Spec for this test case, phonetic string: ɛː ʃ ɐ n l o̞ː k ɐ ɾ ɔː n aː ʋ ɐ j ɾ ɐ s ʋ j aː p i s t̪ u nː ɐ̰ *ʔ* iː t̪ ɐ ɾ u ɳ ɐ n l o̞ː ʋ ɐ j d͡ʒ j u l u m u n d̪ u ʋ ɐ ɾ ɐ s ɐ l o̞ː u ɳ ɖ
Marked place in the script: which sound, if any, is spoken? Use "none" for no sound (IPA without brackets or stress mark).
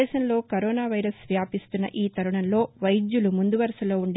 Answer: ʔ